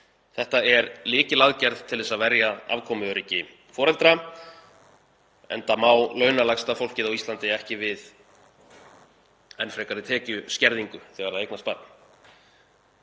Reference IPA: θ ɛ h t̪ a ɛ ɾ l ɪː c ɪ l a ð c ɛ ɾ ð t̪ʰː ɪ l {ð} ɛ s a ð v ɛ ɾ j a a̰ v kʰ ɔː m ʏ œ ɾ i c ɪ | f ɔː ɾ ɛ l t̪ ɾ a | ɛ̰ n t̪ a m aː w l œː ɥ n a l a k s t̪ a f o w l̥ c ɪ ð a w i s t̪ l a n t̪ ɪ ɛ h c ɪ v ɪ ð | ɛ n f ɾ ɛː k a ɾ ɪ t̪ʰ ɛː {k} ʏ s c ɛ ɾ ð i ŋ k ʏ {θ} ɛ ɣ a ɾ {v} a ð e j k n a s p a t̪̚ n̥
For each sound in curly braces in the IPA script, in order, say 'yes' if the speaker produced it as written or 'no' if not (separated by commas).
yes, no, yes, no